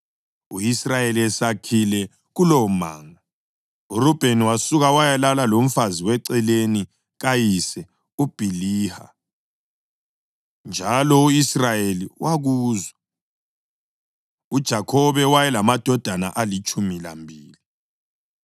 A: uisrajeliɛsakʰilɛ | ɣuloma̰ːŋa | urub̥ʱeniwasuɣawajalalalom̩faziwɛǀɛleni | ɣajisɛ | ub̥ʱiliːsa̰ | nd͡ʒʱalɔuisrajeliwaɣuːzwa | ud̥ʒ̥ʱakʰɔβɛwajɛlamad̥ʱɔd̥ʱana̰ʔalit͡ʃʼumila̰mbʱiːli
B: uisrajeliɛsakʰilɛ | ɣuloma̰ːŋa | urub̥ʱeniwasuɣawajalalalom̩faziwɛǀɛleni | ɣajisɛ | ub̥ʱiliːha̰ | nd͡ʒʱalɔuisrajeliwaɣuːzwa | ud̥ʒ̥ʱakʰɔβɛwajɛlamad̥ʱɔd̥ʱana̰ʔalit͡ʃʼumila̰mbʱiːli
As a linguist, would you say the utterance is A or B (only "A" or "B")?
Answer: B